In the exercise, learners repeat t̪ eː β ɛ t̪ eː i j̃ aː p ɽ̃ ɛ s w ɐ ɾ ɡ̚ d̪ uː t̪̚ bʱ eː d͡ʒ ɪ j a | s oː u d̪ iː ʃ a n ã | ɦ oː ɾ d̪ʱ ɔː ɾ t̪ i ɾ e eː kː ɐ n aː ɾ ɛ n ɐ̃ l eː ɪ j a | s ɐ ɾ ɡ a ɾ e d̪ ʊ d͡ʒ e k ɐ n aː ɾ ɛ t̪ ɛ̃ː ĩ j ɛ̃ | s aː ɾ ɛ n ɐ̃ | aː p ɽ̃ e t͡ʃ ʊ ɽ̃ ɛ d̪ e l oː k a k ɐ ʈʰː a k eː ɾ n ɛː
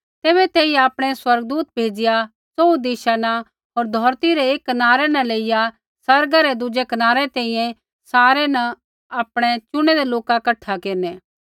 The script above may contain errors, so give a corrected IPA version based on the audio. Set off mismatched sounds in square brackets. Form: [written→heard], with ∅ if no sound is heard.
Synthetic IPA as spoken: t̪ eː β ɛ t̪ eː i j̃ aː p ɽ̃ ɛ s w ɐ ɾ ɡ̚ d̪ uː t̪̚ bʱ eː d͡ʒ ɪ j a | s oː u d̪ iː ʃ a n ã | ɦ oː ɾ d̪ʱ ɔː ɾ t̪ i ɾ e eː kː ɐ n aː ɾ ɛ n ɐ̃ l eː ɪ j a | s ɐ ɾ ɡ a ɾ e d̪ ʊ d͡ʒ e k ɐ n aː ɾ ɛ t̪ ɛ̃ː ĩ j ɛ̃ | s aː ɾ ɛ n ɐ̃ | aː p ɽ̃ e t͡ʃ ʊ ɽ̃ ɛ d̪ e l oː k a k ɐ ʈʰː a k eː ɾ n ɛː

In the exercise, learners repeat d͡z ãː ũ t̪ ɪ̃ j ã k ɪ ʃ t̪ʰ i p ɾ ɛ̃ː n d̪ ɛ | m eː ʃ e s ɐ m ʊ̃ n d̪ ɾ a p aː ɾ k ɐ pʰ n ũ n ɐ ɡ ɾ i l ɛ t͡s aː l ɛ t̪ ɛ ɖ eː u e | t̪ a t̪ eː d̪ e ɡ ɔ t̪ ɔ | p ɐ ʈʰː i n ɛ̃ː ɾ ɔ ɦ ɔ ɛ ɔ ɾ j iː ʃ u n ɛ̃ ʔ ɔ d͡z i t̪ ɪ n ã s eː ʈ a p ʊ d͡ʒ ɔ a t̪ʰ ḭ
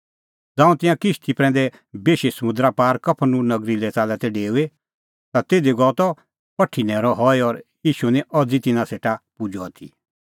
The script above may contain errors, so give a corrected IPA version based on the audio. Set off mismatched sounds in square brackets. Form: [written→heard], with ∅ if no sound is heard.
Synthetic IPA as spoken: d͡z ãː ũ t̪ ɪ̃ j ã k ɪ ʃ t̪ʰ i p ɾ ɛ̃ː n d̪ ɛ | [m→b] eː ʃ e s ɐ m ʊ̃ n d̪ ɾ a p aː ɾ k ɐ pʰ n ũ n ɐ ɡ ɾ i l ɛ t͡s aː l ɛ t̪ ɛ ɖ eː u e | t̪ a t̪ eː d̪ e ɡ ɔ t̪ ɔ | p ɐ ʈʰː i n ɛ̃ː ɾ ɔ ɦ ɔ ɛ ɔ ɾ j iː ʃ u n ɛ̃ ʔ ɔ d͡z i t̪ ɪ n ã s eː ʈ a p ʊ d͡ʒ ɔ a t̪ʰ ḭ

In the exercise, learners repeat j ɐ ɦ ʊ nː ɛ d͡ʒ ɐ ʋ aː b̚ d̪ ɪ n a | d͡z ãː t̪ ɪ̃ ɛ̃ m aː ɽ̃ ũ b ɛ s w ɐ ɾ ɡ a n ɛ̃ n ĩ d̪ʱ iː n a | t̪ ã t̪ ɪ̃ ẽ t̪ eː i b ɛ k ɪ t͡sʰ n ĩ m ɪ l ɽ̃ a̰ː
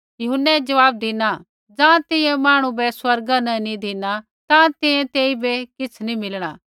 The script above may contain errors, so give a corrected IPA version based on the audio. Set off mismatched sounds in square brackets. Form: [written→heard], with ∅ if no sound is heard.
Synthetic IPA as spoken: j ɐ ɦ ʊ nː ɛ d͡ʒ ɐ ʋ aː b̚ d̪ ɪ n a | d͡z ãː t̪ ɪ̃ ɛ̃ m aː ɽ̃ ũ b ɛ s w ɐ ɾ ɡ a n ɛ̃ n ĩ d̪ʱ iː n a | t̪ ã t̪ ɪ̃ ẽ t̪ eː i b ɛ k ɪ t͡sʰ n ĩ m ɪ l ɽ̃ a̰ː

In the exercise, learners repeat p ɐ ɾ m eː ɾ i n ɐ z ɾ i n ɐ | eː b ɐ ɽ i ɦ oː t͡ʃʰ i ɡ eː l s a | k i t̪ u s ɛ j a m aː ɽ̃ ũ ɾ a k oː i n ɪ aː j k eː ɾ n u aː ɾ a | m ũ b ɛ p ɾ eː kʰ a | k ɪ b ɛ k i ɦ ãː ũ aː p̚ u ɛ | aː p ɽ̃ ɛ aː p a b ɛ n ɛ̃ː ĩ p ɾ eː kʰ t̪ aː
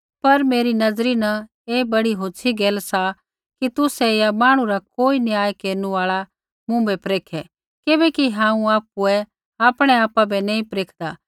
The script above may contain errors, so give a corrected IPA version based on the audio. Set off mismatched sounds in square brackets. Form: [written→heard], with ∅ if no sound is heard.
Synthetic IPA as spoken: p ɐ ɾ m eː ɾ i n ɐ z ɾ i n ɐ | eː b ɐ ɽ i ɦ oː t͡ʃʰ i ɡ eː l s a | k i t̪ [u→ʊ] s ɛ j a m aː ɽ̃ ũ ɾ a k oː i n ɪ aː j k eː ɾ n u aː [ɾ→ɭ] a | m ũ b ɛ p ɾ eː kʰ [a→ɛ] | k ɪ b ɛ k i ɦ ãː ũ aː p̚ u ɛ | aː p ɽ̃ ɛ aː p a b ɛ n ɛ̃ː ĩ p ɾ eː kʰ [t̪→d̪] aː

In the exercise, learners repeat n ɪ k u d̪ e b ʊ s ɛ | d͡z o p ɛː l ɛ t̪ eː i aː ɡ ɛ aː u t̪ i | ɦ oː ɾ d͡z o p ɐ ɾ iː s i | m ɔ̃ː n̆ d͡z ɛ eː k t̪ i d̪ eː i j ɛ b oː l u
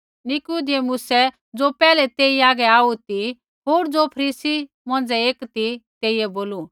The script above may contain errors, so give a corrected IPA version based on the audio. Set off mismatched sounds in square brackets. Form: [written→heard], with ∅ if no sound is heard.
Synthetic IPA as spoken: n ɪ k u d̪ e [b→m] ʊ s ɛ | d͡z o p ɛː l ɛ t̪ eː i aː ɡ ɛ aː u t̪ i | ɦ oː ɾ d͡z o [p→pʰ] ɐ ɾ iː s i | m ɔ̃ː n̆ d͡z ɛ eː k t̪ i [d̪→t̪] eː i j ɛ b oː l u

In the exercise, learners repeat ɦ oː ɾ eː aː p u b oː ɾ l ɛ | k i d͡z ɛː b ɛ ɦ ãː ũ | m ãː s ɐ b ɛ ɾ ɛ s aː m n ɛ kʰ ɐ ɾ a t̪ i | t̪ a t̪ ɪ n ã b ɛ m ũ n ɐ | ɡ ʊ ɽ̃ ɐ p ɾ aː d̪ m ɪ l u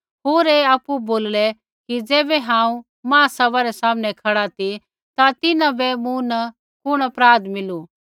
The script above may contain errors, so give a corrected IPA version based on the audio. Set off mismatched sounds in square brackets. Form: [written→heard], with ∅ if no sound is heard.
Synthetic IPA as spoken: ɦ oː ɾ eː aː p u b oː [ɾ→l] l ɛ | k i d͡z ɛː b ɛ ɦ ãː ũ | m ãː s ɐ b [ɛ→a] ɾ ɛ s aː m n ɛ kʰ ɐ [ɾ→ɽ] a t̪ i | t̪ a t̪ ɪ n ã b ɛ m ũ n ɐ | [ɡ→k] ʊ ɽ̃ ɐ p ɾ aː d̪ m ɪ l u

